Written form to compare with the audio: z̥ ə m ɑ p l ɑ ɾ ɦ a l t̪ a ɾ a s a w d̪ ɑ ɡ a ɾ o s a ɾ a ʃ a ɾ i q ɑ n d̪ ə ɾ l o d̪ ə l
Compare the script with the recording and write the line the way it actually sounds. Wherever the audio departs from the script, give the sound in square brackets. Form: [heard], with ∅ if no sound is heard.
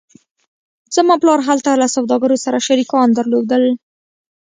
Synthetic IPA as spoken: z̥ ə m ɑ p l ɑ ɾ ɦ a l t̪ a [l] a s a w d̪ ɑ ɡ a ɾ o s a ɾ a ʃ a ɾ i [k] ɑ n d̪ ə ɾ l o d̪ ə l